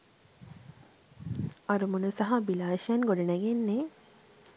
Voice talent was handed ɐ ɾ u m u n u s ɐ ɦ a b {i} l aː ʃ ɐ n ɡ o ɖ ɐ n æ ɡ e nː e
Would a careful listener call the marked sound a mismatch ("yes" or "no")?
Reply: no